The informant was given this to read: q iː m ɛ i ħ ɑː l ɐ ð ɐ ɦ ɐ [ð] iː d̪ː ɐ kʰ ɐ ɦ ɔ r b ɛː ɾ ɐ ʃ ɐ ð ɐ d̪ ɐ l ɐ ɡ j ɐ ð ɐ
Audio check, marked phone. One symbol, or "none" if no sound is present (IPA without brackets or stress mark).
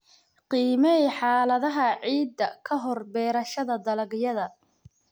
ʕ